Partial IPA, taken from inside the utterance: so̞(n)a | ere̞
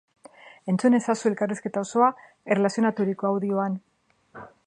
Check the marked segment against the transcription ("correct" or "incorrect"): incorrect